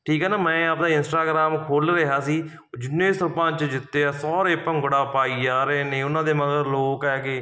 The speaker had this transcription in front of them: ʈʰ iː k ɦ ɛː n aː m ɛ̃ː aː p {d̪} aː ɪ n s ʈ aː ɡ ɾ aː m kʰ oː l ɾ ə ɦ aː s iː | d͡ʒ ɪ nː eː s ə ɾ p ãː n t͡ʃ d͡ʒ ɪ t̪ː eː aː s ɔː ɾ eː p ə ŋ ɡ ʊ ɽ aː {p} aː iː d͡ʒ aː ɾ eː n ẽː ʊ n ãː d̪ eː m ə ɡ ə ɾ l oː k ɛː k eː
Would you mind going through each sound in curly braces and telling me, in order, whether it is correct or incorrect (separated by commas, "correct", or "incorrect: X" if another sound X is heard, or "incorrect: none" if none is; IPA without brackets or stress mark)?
correct, correct